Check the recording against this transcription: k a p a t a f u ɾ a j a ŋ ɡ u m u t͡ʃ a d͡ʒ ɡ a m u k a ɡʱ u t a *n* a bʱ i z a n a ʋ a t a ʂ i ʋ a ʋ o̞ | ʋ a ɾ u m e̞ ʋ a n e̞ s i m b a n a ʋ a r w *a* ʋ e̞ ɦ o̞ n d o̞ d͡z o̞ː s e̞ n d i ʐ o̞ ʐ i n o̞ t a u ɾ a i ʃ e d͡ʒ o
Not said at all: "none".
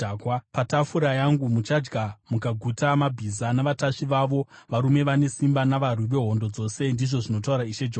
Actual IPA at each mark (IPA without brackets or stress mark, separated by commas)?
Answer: m, i